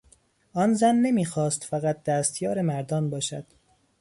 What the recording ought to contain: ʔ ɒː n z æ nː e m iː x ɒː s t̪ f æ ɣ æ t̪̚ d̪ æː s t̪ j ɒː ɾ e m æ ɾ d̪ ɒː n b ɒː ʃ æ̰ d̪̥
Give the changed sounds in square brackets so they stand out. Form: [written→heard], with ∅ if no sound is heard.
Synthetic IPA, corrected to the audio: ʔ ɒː n z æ nː e m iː x ɒː s t̪ f æ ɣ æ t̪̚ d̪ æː s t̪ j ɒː ɾ e m æ ɾ d̪ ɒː n b ɒː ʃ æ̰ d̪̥